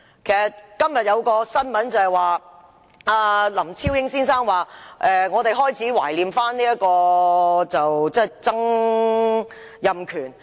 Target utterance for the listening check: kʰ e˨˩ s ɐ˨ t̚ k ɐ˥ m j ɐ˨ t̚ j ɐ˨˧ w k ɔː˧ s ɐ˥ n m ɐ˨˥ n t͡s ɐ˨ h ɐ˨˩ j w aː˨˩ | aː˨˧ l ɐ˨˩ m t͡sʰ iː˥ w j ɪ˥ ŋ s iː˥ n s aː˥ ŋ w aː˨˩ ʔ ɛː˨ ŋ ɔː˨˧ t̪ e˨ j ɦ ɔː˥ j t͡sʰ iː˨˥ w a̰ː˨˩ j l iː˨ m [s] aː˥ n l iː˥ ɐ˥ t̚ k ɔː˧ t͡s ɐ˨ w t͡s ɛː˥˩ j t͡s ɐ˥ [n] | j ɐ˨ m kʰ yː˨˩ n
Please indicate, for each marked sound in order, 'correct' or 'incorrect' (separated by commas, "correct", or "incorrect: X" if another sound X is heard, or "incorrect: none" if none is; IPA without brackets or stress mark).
incorrect: f, incorrect: ŋ